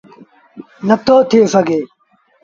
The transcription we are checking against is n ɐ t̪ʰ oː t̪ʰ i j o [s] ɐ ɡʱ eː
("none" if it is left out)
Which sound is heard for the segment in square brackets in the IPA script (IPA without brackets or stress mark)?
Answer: s